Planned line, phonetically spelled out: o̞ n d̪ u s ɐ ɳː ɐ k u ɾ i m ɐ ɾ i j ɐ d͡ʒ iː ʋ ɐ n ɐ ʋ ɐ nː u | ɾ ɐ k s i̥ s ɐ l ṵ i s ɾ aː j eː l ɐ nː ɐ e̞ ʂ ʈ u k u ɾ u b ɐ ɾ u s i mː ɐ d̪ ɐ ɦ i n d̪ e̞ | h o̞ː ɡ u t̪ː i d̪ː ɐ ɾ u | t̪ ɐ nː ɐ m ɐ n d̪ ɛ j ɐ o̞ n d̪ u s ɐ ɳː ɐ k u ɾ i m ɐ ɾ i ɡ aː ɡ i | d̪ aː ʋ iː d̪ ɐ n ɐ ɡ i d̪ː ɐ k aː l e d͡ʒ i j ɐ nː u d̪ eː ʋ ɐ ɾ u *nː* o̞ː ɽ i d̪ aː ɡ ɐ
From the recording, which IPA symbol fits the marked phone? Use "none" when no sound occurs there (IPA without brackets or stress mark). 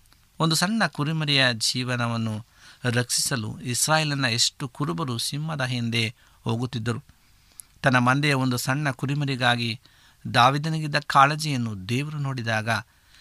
n